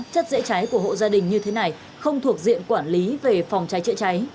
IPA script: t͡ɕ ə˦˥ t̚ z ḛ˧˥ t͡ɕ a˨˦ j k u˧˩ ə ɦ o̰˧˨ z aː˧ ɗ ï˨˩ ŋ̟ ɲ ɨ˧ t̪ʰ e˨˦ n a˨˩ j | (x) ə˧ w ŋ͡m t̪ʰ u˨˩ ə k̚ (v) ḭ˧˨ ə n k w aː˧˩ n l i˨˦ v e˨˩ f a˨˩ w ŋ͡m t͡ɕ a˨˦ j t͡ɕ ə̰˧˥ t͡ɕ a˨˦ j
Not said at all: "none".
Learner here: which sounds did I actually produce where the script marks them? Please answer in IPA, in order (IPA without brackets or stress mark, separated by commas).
x, z